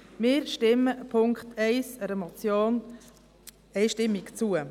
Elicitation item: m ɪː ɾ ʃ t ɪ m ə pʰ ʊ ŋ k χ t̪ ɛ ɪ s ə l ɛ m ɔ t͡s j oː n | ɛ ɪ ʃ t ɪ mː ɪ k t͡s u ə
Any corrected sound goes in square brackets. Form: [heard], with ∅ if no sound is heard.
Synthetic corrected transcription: m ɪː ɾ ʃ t ɪ m ə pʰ ʊ ŋ k χ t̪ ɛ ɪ s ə [ɾ] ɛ m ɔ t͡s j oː n | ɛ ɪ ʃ t ɪ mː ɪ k t͡s u ə